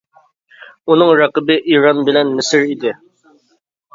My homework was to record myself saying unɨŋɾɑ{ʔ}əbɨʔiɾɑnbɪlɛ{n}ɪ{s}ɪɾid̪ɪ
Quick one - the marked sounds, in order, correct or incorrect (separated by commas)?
incorrect, incorrect, correct